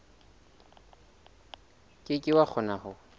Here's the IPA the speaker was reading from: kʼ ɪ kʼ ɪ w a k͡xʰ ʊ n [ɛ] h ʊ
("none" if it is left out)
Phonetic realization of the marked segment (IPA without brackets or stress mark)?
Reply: a